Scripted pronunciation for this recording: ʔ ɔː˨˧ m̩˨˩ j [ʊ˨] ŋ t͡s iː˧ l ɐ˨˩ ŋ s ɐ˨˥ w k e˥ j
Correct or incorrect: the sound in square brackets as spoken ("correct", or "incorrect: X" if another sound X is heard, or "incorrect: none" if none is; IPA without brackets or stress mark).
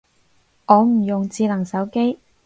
correct